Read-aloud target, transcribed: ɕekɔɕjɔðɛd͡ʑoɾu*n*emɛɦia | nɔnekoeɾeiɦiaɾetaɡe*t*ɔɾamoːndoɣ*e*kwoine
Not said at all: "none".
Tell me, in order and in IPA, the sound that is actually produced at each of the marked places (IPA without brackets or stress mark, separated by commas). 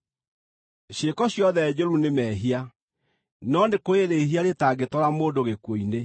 n, t, e